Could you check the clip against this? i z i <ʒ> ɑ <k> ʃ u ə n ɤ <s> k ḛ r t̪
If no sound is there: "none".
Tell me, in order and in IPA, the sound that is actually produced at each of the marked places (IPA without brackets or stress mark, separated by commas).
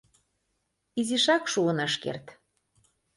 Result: ʃ, k, ʃ